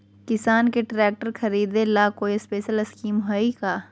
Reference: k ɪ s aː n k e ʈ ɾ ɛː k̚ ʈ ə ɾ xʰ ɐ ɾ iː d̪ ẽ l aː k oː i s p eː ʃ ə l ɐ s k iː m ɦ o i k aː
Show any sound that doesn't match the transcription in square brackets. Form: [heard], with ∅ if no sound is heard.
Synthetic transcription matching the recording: k ɪ s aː n k e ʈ ɾ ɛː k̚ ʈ ə ɾ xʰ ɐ ɾ iː d̪ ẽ l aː k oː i s p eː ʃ ə l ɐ s k iː m ɦ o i k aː